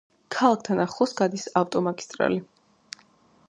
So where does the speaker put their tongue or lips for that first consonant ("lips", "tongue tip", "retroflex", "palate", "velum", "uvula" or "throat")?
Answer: velum